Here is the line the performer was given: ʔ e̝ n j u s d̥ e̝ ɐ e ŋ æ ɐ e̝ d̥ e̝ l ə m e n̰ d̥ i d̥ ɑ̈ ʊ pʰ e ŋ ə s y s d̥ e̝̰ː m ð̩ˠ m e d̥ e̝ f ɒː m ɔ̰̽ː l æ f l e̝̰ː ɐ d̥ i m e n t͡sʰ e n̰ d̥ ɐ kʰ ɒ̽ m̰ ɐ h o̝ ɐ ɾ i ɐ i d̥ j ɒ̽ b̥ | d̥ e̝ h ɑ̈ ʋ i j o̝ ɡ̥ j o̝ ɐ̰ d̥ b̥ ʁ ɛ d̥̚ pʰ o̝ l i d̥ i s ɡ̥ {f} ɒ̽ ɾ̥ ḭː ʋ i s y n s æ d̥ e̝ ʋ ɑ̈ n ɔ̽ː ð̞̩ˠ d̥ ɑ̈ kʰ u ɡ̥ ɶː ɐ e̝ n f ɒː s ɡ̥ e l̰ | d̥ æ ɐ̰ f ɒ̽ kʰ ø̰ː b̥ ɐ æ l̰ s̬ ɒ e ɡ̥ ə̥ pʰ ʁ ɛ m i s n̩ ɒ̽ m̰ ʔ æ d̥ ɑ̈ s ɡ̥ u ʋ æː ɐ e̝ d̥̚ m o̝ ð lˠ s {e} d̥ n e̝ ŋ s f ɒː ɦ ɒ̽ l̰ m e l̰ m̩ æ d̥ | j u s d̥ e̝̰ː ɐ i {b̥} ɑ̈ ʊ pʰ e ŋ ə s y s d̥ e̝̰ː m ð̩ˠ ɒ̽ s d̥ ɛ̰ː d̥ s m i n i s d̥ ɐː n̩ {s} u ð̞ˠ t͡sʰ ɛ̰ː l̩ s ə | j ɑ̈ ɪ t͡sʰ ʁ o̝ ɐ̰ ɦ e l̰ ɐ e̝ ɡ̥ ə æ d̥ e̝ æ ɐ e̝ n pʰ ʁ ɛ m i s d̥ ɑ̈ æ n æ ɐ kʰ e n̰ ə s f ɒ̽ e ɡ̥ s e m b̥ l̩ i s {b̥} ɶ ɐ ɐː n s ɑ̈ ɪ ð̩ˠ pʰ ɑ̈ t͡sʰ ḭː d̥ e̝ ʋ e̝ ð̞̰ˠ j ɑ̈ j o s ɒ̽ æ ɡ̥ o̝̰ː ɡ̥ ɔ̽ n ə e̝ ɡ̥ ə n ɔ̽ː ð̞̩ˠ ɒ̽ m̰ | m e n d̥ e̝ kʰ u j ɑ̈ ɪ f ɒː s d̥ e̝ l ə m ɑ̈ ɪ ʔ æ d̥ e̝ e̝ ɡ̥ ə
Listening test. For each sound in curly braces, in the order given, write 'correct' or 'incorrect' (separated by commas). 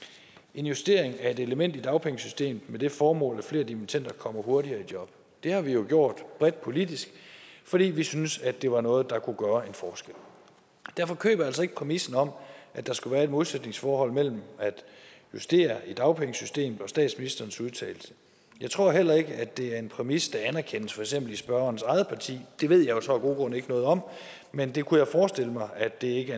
correct, correct, incorrect, correct, correct